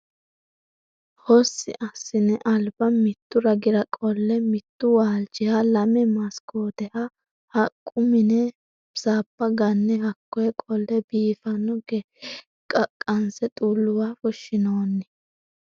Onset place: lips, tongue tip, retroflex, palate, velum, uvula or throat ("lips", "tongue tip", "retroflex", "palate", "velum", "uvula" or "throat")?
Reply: throat